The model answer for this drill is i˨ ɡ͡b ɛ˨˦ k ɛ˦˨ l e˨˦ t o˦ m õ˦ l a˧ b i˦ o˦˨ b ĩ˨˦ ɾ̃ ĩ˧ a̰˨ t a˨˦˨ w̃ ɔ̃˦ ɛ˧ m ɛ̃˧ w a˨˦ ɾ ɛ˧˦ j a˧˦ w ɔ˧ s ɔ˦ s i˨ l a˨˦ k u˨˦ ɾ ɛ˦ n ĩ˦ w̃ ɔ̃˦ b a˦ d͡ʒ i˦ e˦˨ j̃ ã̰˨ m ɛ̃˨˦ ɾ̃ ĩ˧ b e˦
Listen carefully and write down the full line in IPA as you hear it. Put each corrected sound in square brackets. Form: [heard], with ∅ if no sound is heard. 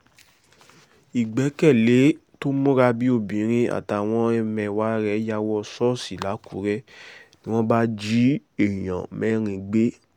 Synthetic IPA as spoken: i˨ ɡ͡b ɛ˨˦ k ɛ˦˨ l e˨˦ t o˦ m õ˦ [ɾ] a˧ b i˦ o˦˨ b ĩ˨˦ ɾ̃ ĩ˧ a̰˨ t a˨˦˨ w̃ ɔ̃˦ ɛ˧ m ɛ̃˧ w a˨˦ ɾ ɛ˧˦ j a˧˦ w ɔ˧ s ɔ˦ s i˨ l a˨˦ k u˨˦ ɾ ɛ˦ n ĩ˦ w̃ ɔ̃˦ b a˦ d͡ʒ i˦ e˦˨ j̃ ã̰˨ m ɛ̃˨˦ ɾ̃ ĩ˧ [ɡ͡b] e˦